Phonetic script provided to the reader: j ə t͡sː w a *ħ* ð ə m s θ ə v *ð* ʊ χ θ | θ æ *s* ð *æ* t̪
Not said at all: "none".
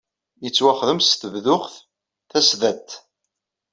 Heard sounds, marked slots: χ, ð, s, æ

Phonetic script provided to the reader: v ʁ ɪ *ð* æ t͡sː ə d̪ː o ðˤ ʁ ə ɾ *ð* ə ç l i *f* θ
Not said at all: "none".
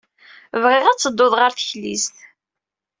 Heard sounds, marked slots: ʁ, θ, s

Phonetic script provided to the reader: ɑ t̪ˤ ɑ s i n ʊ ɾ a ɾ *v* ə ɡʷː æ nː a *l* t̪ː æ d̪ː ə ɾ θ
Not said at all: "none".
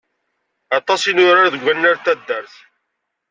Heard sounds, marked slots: ð, ɾ

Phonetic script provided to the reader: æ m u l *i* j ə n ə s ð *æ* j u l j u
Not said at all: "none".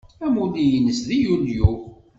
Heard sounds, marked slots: i, i

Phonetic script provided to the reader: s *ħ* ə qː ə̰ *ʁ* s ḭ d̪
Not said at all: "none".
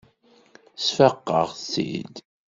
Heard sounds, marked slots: f, ʁ

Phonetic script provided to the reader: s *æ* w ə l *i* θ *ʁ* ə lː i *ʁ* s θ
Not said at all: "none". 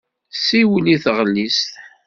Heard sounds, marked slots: i, i, ʁ, none

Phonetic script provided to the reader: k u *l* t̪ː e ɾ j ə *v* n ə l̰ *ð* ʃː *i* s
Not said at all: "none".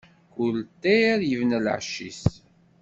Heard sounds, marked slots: l, v, ʕ, i

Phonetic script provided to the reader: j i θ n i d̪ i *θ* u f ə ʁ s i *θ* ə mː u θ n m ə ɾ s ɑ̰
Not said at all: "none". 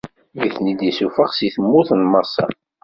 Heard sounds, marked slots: s, θ

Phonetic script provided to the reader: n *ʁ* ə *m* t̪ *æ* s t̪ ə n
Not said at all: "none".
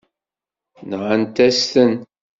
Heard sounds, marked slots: ʁ, n, æ

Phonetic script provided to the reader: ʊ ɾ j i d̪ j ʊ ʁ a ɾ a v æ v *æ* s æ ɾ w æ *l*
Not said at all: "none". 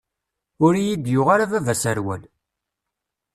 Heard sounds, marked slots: æ, l

